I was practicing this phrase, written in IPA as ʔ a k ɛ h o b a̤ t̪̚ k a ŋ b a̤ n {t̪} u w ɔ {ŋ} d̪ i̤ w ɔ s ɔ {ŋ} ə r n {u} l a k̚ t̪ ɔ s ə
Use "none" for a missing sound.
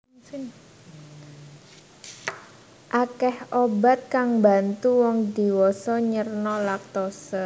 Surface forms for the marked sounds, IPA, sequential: t̪, ŋ, ɲ, ɔ

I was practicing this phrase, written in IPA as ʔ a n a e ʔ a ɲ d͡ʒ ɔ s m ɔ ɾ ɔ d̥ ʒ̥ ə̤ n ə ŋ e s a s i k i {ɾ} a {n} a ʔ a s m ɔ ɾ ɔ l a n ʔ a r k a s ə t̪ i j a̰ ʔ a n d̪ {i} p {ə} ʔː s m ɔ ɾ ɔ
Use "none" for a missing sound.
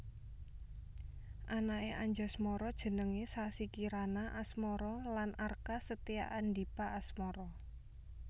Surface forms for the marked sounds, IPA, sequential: ɾ, n, i, a

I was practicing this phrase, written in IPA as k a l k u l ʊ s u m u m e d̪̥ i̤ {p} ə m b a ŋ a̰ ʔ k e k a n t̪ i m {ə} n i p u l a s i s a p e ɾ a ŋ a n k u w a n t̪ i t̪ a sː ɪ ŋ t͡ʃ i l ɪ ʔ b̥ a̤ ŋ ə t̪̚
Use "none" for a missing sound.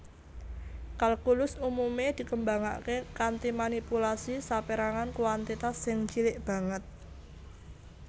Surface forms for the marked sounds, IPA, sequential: k, a

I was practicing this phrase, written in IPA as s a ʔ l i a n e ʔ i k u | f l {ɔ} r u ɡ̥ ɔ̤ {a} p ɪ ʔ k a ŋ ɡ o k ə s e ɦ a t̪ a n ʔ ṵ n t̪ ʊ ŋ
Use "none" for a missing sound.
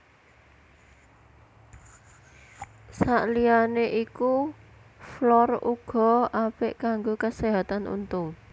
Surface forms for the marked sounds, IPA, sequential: ɔ, a

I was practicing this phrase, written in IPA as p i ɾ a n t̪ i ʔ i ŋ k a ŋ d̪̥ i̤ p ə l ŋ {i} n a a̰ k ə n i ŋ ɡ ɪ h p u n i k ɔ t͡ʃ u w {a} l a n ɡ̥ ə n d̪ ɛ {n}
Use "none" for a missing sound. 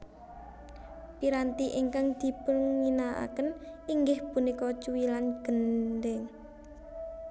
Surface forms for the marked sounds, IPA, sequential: i, i, ŋ

